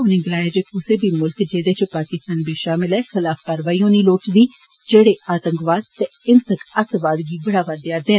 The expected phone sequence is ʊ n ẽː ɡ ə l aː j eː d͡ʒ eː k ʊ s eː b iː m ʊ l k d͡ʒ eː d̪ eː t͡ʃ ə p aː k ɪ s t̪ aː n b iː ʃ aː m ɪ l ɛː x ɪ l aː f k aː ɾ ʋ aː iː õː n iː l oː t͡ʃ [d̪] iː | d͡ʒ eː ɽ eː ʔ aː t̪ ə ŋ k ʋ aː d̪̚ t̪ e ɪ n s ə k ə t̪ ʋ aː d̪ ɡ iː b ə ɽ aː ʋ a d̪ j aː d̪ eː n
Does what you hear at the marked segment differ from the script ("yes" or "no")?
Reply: no